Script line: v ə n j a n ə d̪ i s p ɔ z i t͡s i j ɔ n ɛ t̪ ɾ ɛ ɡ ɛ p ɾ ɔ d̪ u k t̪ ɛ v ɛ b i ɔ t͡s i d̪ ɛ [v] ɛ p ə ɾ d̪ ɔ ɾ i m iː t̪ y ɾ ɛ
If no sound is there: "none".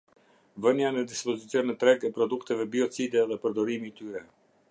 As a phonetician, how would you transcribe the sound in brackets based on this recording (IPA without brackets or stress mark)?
ð